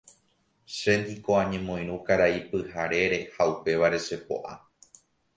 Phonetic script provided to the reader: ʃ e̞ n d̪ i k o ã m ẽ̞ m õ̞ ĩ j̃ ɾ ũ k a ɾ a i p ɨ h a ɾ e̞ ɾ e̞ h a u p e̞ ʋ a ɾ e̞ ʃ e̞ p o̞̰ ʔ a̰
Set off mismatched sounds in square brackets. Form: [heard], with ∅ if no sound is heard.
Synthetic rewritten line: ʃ e̞ n d̪ i k o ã [ɲ] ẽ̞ m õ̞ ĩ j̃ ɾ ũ k a ɾ a i p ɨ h a ɾ e̞ ɾ e̞ h a u p e̞ ʋ a ɾ e̞ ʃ e̞ p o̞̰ ʔ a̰